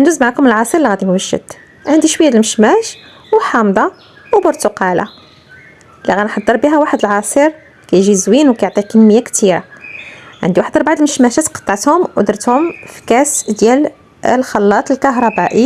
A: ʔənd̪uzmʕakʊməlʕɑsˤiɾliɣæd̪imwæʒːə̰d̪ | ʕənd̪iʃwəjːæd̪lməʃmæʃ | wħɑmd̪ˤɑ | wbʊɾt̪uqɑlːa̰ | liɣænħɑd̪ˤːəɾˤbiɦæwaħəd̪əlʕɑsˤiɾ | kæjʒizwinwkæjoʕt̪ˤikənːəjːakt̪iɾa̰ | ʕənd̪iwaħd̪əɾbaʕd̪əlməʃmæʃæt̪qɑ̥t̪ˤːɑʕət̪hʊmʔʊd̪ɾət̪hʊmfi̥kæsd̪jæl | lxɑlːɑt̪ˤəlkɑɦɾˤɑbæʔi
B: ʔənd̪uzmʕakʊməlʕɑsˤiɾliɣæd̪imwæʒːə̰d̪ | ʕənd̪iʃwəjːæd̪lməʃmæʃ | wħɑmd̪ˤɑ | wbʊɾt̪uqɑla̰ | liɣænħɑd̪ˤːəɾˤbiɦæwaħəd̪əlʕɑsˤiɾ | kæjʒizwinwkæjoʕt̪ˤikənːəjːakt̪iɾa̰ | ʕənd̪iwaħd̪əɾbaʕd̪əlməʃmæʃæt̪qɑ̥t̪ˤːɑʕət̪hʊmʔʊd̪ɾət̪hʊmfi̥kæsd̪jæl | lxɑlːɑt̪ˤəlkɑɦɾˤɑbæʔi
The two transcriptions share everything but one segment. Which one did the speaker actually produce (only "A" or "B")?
B